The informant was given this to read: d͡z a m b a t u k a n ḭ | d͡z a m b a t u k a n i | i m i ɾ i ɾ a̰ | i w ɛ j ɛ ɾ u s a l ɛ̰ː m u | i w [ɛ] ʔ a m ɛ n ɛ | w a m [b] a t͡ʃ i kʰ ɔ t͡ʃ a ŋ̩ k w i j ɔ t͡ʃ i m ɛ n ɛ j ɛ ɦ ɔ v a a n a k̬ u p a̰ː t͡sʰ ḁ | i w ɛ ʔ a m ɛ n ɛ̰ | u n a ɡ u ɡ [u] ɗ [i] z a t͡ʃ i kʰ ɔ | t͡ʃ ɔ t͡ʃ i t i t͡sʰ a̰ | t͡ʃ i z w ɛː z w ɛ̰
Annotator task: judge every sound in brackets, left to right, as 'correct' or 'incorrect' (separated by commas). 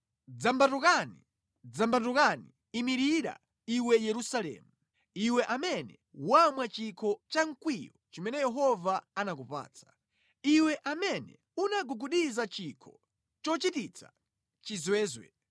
correct, incorrect, correct, correct